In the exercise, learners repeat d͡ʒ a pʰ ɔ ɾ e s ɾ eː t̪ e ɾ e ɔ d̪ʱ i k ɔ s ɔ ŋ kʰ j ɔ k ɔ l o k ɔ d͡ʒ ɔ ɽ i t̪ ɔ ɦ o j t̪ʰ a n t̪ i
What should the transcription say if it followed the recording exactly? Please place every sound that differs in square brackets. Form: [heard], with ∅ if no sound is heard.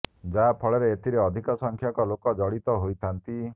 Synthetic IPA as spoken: d͡ʒ a pʰ ɔ [ɭ] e [∅] ɾ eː t̪ [i] ɾ e ɔ d̪ʱ i k ɔ s ɔ ŋ kʰ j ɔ k ɔ l o k ɔ d͡ʒ ɔ ɽ i t̪ ɔ ɦ o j t̪ʰ a n t̪ i